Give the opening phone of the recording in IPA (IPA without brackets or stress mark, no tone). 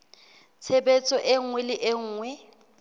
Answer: t͡sʰ